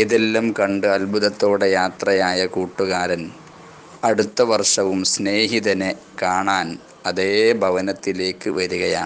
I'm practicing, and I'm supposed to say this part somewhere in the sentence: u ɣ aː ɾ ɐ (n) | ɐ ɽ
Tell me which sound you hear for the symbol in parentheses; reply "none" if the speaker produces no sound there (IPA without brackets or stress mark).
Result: n